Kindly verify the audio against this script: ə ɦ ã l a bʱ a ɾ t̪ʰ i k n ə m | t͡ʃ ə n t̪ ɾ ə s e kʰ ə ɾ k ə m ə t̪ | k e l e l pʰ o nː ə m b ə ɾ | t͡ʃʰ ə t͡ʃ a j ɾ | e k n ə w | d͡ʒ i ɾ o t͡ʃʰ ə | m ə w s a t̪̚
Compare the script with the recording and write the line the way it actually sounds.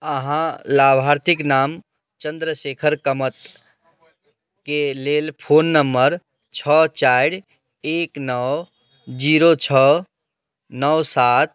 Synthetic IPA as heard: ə ɦ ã l a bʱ a ɾ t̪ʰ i k n a m | t͡ʃ ə n d̪ ɾ ə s e kʰ ə ɾ k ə m ə t̪ | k e l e l pʰ o nː ə m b ə ɾ | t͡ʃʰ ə t͡ʃ a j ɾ | e k n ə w | d͡ʒ i ɾ o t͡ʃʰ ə | n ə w s a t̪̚